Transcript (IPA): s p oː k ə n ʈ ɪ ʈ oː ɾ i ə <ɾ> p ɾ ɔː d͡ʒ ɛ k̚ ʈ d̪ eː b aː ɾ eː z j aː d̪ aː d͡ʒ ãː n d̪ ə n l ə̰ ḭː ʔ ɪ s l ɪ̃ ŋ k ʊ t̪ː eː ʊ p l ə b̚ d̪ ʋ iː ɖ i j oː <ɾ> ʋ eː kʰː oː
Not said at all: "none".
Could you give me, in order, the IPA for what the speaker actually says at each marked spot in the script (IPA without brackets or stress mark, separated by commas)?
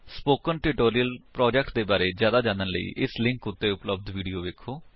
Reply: l, none